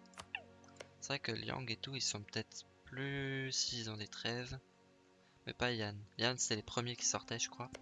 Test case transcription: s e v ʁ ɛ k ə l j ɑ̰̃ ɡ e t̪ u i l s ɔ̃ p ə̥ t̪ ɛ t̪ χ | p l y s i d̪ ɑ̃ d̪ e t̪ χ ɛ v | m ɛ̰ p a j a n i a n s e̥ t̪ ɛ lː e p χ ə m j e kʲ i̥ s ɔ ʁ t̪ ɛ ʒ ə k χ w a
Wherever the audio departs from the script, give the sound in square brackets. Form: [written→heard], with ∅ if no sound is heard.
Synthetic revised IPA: s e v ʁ ɛ k ə l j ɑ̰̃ ɡ e t̪ u i l s ɔ̃ p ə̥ t̪ ɛ t̪ χ | p l y s i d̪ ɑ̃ d̪ e t̪ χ ɛ v | m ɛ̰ p a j a n [i→j] a n s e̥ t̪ ɛ [lː→l] e p χ ə m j e kʲ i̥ s ɔ ʁ t̪ ɛ ʒ ə k χ w a